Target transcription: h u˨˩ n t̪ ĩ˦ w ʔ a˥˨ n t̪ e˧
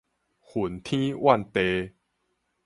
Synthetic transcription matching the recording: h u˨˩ n t̪ʰ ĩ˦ w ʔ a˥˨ n t̪ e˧